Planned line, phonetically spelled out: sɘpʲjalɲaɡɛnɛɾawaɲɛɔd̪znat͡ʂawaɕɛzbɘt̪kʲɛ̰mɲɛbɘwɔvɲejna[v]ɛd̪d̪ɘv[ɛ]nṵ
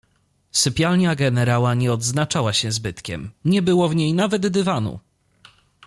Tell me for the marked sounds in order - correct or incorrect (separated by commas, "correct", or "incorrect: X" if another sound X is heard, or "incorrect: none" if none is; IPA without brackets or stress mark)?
correct, incorrect: a